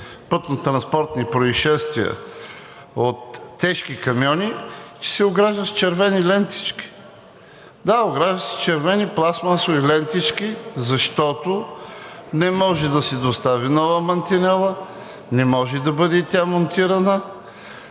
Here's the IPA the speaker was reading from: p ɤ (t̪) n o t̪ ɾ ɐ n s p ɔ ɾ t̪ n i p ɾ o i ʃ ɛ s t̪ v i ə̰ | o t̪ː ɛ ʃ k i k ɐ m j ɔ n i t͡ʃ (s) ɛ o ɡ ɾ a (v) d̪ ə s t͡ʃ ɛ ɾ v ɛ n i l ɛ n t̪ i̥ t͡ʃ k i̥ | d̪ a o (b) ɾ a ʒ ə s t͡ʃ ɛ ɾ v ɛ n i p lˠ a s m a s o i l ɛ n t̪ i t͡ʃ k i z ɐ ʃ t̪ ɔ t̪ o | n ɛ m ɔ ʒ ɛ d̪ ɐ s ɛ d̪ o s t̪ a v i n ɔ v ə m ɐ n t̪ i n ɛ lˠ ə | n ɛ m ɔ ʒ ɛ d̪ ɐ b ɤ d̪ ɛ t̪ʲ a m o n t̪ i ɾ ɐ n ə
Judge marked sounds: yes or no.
yes, yes, no, no

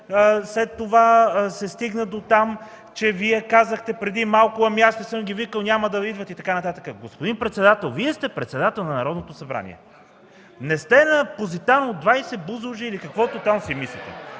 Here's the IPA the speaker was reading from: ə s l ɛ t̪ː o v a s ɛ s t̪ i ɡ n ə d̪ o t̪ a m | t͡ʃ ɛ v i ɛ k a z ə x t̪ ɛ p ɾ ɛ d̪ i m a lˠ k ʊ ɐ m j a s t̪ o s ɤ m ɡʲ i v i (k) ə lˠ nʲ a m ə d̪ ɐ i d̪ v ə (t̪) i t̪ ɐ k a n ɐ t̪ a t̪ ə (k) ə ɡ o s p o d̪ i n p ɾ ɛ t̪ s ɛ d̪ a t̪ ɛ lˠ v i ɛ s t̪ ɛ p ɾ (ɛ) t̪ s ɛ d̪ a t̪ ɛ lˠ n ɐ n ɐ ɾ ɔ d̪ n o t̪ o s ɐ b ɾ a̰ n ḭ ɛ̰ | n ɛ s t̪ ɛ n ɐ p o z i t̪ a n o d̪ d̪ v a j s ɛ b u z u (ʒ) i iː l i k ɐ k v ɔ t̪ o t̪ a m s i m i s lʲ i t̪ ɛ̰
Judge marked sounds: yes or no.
yes, yes, yes, yes, yes

